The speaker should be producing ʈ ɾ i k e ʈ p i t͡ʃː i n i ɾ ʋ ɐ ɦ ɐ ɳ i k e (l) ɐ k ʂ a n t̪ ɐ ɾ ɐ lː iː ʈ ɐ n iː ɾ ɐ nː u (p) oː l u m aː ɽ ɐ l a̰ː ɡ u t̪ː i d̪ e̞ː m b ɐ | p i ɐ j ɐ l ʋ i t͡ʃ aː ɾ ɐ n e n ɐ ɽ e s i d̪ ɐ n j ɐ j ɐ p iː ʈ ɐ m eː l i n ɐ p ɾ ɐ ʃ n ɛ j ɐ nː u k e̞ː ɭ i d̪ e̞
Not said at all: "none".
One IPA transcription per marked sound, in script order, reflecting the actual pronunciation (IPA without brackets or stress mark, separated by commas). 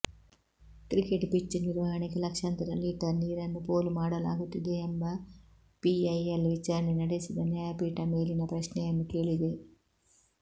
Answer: l, p